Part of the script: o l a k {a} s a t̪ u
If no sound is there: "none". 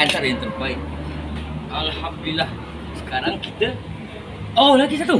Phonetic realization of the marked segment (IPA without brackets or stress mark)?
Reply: i